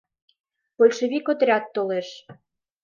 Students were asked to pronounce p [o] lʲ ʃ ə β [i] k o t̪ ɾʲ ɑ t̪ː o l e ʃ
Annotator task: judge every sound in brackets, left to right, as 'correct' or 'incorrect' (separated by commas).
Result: correct, correct